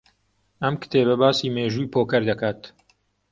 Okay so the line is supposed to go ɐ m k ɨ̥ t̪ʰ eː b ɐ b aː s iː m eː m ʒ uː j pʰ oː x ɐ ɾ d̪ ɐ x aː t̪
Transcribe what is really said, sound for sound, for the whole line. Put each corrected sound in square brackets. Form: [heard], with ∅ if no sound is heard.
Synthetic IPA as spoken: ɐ m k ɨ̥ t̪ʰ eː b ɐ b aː s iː m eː [∅] ʒ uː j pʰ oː [k] ɐ ɾ d̪ ɐ [k] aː t̪

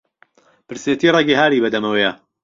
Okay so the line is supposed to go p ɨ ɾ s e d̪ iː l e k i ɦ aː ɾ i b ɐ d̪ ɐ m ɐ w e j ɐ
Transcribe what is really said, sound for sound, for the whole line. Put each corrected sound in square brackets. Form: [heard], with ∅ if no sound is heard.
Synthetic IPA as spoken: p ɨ ɾ s e [t̪] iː [r] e [ɡ] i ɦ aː ɾ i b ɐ d̪ ɐ m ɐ w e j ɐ

